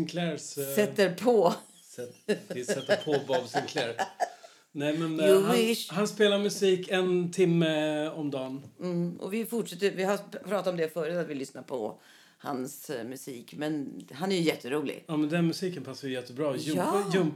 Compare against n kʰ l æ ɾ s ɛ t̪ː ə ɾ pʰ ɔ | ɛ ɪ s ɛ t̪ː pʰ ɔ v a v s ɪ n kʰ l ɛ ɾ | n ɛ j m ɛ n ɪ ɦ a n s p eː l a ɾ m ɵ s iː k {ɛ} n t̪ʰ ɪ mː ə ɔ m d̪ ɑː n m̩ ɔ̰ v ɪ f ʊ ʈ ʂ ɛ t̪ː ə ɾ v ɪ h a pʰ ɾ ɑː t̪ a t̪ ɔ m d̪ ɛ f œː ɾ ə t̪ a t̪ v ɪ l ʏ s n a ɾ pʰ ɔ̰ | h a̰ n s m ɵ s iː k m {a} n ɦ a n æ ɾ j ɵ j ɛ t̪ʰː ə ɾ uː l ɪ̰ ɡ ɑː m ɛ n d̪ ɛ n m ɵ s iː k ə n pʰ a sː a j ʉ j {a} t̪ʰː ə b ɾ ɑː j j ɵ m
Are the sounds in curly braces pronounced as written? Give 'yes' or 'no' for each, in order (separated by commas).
yes, no, no